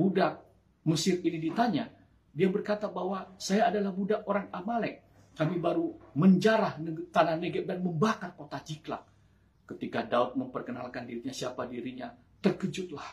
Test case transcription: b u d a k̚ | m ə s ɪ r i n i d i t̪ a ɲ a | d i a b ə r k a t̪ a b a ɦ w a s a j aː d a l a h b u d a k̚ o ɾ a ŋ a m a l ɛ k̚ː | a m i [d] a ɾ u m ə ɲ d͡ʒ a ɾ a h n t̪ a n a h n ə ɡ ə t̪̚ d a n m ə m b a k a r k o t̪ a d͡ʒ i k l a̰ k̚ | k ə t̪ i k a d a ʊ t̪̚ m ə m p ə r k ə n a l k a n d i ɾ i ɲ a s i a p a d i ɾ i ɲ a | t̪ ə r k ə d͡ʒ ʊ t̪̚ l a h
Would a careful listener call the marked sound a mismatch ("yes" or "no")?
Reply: yes